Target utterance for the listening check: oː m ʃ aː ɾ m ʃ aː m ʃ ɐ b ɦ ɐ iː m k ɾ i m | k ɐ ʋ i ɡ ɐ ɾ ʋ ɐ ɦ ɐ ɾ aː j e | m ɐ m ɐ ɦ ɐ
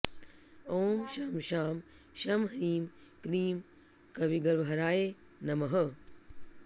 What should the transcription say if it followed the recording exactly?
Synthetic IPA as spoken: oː m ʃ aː m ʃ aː m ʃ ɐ m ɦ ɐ iː m k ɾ iː m | k ɐ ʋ i ɡ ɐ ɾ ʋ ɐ ɦ ɐ ɾ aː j e | n ɐ m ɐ ɦ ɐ